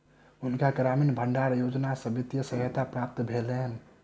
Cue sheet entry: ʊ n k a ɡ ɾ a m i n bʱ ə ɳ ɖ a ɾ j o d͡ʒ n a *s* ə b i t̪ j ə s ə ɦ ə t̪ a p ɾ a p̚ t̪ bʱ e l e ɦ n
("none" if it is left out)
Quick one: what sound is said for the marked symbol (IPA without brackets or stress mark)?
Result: s